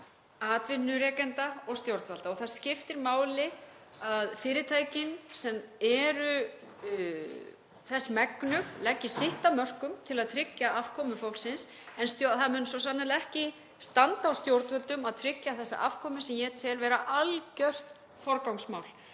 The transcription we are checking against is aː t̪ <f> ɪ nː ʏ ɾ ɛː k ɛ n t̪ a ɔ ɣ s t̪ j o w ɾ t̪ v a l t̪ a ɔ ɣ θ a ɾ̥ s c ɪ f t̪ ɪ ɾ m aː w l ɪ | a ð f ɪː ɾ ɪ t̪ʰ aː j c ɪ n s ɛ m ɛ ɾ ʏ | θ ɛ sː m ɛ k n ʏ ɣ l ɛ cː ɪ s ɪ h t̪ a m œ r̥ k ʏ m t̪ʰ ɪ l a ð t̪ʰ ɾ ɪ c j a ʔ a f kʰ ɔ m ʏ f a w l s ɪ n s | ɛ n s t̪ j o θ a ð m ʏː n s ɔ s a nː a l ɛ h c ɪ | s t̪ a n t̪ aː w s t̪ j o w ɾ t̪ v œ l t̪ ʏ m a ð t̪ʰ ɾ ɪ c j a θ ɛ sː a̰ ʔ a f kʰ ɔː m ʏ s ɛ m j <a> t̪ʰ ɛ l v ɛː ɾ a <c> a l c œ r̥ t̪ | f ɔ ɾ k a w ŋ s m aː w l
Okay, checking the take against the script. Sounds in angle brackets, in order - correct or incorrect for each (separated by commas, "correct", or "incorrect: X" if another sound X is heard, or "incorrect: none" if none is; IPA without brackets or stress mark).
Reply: incorrect: v, incorrect: ɛ, incorrect: ʔ